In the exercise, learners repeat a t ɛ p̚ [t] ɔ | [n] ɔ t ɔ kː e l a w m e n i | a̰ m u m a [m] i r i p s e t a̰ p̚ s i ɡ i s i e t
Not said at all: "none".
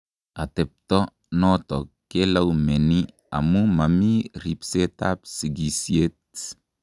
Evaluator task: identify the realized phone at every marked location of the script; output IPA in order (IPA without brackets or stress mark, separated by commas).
t, n, m